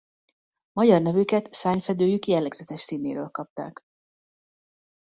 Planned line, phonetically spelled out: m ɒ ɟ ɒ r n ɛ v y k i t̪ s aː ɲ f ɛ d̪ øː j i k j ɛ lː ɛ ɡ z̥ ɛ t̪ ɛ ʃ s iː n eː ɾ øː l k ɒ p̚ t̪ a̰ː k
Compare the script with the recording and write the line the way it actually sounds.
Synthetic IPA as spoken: m ɒ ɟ ɒ r n ɛ v y k ɛ t̪ s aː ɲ f ɛ d̪ øː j y k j ɛ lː ɛ ɡ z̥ ɛ t̪ ɛ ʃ s iː n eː ɾ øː l k ɒ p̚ t̪ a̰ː k

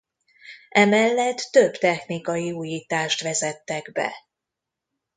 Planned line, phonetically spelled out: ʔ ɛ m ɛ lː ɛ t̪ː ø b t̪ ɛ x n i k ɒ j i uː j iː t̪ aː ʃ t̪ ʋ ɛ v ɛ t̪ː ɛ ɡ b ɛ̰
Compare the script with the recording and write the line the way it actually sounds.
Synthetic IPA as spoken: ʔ ɛ m ɛ lː ɛ t̪ː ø b t̪ ɛ x n i k ɒ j i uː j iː t̪ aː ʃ t̪ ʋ ɛ z ɛ t̪ː ɛ ɡ b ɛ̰

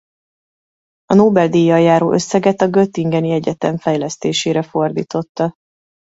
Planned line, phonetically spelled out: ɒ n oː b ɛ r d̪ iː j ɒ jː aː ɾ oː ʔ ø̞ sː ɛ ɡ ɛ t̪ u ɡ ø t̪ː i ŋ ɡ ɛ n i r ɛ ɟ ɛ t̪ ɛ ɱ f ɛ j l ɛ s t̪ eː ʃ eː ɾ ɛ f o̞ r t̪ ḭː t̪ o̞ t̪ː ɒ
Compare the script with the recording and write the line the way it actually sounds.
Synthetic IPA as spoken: ɒ n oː b ɛ l d̪ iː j ɒ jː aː ɾ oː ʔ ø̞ sː ɛ ɡ ɛ t̪ ɒ ɡ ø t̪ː i ŋ ɡ ɛ n i ɛ ɟ ɛ t̪ ɛ ɱ f ɛ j l ɛ s t̪ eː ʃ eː ɾ ɛ f o̞ r d̪ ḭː t̪ o̞ t̪ː ɒ

